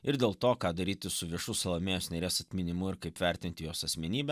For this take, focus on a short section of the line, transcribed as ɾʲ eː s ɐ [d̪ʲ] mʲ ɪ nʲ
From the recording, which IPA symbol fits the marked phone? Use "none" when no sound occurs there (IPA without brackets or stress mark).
t̪ʲ